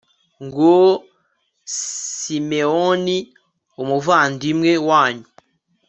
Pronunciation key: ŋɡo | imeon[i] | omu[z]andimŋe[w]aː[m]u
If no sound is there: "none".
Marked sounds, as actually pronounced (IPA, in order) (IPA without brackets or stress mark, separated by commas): i, v, w, ɲ